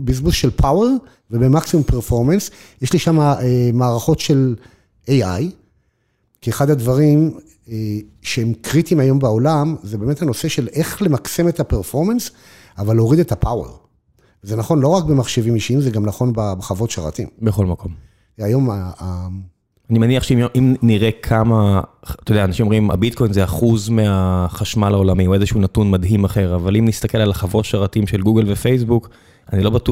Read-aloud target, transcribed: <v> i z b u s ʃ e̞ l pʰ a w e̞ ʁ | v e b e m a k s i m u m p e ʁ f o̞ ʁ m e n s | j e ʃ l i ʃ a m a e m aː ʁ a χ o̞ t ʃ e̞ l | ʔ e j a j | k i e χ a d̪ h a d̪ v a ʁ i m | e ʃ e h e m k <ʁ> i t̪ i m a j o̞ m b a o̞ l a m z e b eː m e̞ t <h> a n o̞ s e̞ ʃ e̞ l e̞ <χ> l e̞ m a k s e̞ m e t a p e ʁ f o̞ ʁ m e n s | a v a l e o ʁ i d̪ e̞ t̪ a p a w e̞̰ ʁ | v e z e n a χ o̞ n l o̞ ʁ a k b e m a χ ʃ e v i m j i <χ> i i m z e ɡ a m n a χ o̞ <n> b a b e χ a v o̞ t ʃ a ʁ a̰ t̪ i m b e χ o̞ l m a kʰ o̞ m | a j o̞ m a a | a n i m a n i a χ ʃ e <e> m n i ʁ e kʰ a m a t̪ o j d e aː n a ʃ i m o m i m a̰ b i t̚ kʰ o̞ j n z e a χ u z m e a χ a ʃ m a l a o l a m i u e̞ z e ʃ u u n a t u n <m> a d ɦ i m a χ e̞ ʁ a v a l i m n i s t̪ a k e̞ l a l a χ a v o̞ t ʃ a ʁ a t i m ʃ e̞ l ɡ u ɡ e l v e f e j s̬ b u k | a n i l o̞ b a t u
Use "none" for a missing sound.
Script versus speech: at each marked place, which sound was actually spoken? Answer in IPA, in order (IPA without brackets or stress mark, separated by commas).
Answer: b, ʁ, h, χ, ʃ, n, i, m